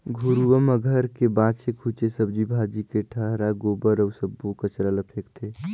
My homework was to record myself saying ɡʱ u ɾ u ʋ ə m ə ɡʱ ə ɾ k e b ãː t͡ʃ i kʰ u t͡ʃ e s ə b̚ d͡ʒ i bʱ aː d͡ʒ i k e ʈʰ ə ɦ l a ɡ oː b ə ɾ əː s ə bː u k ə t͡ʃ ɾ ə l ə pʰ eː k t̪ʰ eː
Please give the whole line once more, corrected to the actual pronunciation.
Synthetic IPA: ɡʱ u ɾ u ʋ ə m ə ɡʱ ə ɾ k e b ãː t͡ʃ e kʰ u t͡ʃ e s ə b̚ d͡ʒ i bʱ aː d͡ʒ i k e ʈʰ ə ɦ ɾ a ɡ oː b ə ɾ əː s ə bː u k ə t͡ʃ ɾ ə l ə pʰ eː k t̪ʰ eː